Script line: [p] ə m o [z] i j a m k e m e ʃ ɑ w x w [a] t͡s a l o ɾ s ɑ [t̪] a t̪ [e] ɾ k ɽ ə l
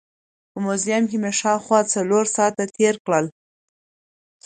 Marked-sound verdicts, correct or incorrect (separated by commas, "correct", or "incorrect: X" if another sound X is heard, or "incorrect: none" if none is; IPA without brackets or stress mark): correct, correct, incorrect: ɑ, correct, correct